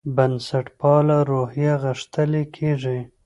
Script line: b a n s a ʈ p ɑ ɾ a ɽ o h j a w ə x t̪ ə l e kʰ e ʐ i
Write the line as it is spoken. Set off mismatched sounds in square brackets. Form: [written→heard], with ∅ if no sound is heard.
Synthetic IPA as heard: b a n s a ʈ p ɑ [ɾ→l] a [ɽ→ɾ] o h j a [w→ɣ] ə [x→ʂ] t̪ ə l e kʰ e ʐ i